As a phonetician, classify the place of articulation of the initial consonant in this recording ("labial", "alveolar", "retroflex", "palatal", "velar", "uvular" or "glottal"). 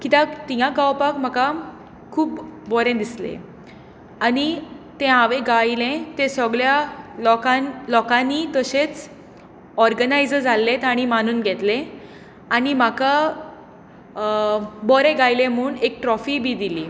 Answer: velar